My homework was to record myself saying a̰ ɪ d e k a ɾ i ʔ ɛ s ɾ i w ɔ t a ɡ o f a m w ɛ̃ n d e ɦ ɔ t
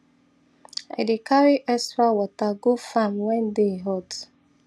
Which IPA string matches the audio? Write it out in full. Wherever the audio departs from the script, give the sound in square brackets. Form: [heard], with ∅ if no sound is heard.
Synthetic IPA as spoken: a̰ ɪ d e k a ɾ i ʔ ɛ s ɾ [a] w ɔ t a ɡ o f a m w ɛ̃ n d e ɦ ɔ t